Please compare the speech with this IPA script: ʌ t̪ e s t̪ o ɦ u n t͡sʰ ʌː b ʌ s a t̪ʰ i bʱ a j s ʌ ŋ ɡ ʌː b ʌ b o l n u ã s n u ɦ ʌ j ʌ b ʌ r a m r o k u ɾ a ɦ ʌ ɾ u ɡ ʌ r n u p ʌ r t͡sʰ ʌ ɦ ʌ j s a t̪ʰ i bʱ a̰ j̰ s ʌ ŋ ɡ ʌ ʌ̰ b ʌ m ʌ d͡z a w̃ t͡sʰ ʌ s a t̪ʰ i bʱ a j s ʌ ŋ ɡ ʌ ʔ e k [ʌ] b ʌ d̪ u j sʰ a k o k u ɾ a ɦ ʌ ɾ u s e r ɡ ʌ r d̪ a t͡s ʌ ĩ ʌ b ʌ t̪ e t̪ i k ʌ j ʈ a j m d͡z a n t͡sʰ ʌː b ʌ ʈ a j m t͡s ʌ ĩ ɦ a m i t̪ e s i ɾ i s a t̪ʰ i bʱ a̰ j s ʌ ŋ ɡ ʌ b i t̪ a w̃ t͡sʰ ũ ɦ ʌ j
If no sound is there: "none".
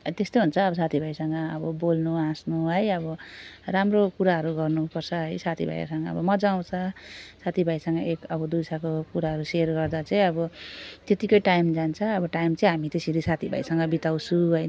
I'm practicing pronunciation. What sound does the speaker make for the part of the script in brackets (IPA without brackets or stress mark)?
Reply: ʌ